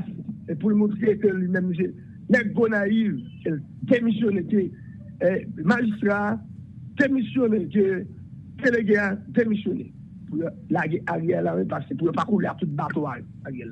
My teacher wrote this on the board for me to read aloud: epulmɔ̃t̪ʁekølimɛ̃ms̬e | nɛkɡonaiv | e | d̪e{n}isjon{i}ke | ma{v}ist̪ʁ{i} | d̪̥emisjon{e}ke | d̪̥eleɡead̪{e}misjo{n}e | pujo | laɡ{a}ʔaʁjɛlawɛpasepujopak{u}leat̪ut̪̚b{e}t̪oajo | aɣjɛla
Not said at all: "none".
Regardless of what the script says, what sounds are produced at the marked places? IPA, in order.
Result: m, e, ʒ, a, e, e, n, e, u, a

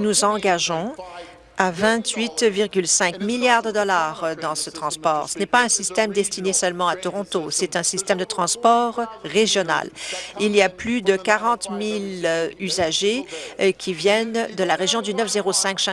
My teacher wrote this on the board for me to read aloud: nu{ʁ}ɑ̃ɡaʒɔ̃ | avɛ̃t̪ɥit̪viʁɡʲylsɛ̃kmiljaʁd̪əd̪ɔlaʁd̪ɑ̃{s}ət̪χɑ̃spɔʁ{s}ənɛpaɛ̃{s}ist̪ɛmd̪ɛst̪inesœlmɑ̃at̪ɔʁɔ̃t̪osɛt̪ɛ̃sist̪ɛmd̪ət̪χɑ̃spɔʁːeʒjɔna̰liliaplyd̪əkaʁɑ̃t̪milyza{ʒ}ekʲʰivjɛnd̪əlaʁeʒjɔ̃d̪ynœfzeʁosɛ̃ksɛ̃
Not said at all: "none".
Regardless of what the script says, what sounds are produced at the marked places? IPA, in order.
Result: z, s, s, s, ʒ

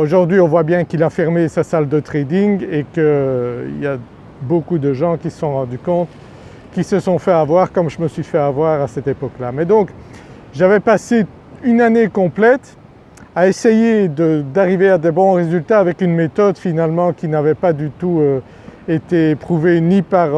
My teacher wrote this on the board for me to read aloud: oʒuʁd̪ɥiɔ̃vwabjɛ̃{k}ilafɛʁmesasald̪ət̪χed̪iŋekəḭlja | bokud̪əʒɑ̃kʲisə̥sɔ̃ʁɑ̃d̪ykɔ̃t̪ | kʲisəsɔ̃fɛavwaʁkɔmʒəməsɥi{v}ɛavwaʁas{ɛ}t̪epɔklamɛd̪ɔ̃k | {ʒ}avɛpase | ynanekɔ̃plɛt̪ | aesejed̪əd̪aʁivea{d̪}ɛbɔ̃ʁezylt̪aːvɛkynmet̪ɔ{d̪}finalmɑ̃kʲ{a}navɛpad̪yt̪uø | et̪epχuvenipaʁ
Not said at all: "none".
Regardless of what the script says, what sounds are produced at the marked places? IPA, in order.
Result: k, f, ɛ, ʒ, d̪, d̪, i

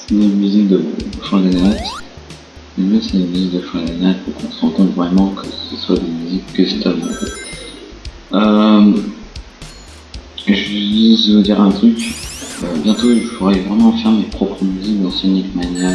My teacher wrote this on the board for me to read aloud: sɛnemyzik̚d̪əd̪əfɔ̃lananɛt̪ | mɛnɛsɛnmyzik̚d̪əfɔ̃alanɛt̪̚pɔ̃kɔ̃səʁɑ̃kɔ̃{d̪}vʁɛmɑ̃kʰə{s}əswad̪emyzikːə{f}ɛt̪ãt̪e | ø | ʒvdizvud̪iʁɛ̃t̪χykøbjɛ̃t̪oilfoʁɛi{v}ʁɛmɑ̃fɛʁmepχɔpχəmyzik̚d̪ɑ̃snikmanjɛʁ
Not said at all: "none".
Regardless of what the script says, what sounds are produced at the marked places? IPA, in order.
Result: t̪, s, s, v

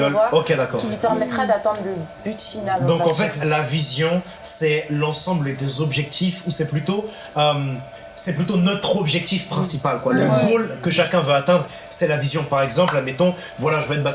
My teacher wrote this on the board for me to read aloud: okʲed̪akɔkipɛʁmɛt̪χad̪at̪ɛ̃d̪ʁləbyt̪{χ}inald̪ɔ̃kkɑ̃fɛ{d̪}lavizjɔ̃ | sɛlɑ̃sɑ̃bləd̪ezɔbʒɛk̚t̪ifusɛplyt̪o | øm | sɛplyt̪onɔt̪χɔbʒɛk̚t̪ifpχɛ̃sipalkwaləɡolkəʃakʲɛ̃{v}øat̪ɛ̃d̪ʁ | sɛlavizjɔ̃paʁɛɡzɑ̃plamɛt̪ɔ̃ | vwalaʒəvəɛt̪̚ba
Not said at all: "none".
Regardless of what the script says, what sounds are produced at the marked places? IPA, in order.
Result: f, t̪, v

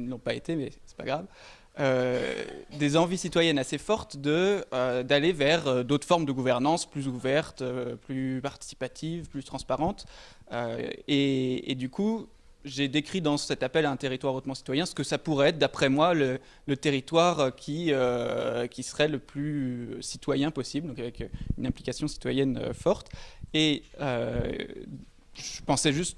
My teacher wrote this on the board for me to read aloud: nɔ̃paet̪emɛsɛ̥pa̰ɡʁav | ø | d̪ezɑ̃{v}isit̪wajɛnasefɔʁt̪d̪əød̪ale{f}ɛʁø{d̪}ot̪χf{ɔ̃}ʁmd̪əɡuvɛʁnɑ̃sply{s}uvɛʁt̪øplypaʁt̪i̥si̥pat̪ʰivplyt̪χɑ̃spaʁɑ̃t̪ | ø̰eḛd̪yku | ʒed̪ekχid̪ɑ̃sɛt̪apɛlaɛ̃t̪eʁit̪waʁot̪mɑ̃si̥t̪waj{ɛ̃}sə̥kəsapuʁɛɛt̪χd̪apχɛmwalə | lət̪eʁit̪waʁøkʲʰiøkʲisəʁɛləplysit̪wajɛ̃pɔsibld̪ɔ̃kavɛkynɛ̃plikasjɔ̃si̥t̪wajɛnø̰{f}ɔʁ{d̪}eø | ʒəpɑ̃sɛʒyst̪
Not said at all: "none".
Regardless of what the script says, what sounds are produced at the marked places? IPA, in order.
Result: v, v, d̪, ɔ, z, ɛ̃, f, t̪

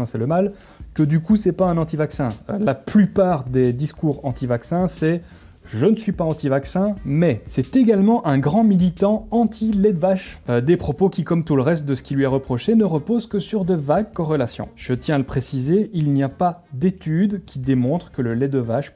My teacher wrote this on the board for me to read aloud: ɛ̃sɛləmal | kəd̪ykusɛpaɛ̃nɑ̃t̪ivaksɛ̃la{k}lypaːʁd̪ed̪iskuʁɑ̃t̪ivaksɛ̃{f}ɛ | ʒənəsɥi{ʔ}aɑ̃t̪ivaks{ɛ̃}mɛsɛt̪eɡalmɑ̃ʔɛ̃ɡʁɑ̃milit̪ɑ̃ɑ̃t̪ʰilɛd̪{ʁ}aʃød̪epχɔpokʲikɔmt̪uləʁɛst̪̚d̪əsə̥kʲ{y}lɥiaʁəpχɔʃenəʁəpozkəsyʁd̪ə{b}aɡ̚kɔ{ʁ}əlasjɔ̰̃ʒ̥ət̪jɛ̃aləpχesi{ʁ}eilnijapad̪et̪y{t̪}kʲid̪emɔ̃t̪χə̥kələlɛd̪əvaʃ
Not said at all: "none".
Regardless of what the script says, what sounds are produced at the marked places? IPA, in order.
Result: p, s, p, ɛ̃, v, i, v, ʁ, z, d̪

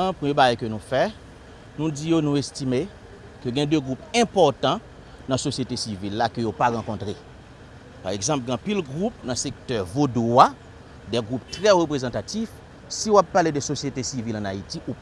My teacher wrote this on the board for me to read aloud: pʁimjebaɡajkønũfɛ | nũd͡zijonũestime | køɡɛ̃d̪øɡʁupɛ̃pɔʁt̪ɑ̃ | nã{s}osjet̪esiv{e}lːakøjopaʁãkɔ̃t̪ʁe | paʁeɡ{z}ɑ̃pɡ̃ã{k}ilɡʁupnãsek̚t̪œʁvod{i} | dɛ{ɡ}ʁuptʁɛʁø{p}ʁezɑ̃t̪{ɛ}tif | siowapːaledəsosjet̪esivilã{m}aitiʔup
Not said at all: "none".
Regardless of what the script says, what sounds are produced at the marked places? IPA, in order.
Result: s, i, z, p, a, ɡ, p, a, n

